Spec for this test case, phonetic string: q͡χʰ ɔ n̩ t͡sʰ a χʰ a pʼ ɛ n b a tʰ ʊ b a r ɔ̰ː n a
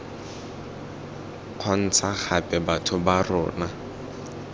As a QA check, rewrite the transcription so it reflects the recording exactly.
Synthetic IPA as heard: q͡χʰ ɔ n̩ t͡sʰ a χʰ a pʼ ɛ b a tʰ ʊ b a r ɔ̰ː n a